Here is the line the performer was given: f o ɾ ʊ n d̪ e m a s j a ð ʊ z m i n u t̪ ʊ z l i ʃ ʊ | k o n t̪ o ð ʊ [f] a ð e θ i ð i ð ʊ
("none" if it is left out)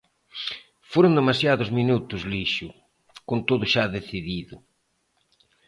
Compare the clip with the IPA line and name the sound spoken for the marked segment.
ʃ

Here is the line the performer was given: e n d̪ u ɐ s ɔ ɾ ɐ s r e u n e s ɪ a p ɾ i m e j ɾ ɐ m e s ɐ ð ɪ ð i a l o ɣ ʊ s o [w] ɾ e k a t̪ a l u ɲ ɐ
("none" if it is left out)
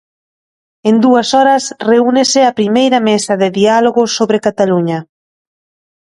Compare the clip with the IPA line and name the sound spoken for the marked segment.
β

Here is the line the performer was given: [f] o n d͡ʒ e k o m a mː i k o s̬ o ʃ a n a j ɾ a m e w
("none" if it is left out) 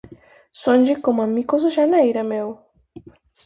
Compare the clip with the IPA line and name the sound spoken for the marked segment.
s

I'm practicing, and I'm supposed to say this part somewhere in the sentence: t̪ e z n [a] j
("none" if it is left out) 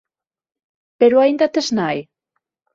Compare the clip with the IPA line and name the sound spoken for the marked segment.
a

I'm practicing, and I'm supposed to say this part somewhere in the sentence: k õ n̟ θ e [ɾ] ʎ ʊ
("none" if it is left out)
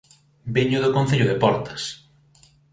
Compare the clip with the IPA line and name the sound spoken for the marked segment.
none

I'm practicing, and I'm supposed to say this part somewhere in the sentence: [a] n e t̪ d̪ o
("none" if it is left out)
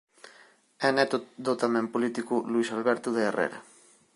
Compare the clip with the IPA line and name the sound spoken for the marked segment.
e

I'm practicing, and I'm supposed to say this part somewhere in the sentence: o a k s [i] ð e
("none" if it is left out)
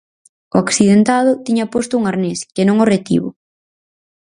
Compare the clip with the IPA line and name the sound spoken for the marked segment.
i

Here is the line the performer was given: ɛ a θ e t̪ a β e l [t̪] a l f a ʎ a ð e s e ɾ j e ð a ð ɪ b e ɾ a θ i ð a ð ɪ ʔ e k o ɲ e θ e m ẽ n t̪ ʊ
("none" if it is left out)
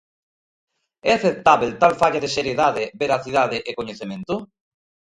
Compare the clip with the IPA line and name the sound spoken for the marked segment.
t̪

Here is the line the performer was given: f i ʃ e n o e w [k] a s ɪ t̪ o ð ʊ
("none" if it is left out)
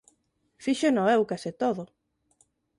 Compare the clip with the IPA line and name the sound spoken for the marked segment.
k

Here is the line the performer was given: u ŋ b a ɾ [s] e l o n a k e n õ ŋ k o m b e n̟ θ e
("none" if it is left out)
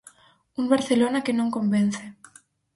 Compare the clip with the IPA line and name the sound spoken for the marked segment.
θ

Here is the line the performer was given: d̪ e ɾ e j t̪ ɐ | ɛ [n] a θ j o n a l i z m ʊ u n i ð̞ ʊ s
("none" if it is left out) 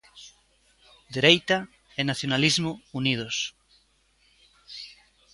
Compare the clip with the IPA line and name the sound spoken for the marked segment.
n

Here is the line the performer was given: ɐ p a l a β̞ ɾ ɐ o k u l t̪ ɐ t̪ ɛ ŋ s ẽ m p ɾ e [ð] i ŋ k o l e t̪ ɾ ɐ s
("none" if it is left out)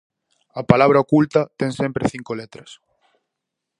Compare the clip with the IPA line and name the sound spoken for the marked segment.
θ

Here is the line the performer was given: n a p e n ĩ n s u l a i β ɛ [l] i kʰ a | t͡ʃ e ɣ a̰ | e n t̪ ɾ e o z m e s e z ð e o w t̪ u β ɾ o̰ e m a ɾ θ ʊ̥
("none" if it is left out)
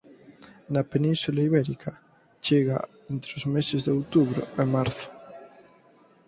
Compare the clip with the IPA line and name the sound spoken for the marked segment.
ɾ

